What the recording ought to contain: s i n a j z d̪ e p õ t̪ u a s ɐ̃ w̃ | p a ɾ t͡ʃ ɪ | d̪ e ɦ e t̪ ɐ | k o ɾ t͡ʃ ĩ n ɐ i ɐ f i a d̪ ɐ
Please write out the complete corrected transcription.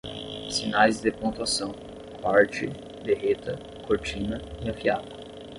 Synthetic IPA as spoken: s i n a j z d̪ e p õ t̪ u a s ɐ̃ w̃ | p a ɾ t͡ʃ ɪ | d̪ e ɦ e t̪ ɐ | k o ɾ t͡ʃ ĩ n ɐ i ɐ f i a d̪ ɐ